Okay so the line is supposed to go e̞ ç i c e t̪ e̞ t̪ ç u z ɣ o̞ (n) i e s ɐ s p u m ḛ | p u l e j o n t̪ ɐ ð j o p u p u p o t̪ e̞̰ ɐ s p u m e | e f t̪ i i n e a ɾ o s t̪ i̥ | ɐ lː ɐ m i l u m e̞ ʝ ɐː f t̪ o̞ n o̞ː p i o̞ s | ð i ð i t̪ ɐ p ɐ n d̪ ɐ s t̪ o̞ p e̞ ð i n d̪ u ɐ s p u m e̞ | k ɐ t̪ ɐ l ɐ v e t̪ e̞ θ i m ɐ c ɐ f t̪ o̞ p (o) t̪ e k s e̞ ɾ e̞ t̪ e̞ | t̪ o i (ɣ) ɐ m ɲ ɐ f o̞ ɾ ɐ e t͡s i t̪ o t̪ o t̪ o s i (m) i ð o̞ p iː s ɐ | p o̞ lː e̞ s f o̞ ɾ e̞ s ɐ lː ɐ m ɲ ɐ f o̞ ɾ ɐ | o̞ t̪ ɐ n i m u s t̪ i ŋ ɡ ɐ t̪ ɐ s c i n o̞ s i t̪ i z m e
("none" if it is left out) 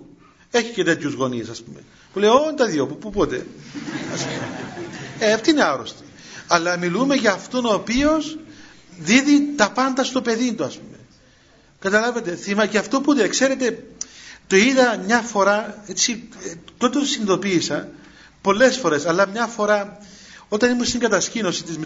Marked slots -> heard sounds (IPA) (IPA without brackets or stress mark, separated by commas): n, u, ð, n